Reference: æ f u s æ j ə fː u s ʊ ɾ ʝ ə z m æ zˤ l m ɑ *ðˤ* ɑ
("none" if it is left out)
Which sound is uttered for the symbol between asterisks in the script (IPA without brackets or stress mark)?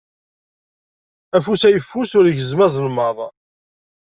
ðˤ